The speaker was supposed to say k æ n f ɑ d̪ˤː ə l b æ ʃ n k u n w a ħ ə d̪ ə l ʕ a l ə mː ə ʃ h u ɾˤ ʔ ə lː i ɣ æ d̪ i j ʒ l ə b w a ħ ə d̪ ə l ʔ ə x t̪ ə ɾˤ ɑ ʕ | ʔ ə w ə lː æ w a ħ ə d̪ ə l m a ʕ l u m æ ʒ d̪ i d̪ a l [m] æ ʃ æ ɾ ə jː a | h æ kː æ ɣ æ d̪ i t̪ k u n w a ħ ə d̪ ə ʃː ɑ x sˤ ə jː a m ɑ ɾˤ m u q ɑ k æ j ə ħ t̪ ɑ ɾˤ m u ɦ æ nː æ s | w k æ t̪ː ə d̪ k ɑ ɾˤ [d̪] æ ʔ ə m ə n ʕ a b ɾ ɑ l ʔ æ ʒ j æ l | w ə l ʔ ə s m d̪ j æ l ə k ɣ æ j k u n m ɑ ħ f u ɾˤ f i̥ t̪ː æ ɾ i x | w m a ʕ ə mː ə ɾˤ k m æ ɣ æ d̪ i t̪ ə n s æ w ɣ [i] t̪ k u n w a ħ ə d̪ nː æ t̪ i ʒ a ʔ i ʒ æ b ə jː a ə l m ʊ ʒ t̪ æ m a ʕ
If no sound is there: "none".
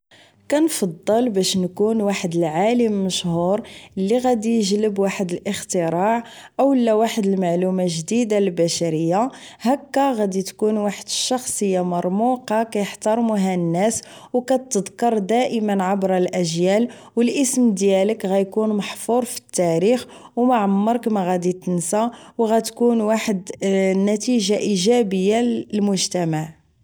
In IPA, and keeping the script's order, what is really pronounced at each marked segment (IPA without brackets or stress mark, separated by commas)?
b, d̪, æ